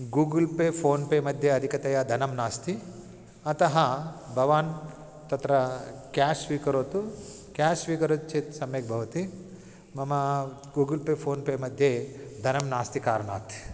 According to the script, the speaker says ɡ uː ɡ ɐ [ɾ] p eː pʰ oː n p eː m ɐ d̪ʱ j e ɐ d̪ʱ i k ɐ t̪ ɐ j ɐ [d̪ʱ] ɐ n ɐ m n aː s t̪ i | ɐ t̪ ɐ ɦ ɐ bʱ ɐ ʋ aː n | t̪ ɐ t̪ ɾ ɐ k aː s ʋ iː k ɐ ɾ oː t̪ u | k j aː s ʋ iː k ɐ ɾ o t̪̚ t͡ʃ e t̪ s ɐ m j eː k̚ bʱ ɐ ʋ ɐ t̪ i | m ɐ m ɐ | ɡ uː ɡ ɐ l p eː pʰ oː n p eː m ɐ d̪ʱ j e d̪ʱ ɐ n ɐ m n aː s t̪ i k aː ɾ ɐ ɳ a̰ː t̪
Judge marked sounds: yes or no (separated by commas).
no, yes